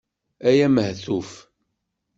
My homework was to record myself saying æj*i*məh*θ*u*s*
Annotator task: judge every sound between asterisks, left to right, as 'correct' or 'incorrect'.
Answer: incorrect, correct, incorrect

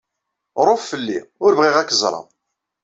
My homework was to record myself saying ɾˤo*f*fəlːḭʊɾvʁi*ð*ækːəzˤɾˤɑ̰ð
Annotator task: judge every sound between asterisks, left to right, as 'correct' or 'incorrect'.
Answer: correct, incorrect

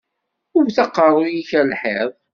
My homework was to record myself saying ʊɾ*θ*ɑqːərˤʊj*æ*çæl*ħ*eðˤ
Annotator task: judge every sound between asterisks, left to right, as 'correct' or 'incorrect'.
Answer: correct, incorrect, correct

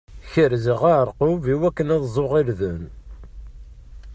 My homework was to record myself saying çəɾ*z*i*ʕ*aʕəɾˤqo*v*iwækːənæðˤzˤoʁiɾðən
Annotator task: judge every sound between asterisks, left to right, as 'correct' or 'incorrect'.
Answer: correct, incorrect, correct

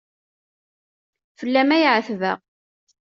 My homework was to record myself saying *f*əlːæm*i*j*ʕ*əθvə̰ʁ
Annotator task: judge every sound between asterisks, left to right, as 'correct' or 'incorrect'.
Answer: correct, incorrect, correct

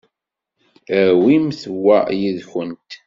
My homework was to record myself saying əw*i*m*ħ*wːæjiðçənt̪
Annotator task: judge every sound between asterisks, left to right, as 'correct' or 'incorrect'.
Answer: correct, incorrect

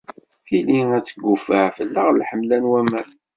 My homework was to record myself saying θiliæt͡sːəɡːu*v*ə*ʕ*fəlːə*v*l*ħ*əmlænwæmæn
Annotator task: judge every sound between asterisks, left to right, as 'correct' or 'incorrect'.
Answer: incorrect, correct, incorrect, correct

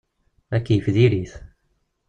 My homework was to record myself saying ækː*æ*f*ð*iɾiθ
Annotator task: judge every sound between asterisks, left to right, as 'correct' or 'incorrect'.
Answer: incorrect, correct

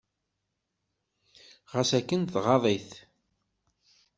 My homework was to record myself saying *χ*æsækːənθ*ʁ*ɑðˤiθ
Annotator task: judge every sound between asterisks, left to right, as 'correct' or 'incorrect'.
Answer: incorrect, correct

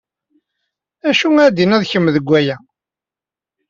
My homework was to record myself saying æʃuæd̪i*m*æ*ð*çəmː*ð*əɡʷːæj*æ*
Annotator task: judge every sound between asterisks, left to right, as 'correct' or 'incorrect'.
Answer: incorrect, correct, correct, correct

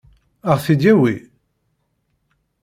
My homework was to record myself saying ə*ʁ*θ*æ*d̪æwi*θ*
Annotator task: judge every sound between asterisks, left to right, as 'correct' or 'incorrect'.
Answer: correct, incorrect, incorrect

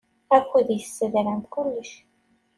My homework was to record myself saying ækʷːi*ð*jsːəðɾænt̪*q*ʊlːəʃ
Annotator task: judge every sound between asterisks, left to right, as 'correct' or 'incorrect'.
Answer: correct, incorrect

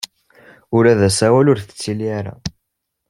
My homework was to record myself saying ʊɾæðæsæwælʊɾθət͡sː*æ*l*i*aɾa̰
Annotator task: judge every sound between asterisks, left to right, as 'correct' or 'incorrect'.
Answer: incorrect, correct

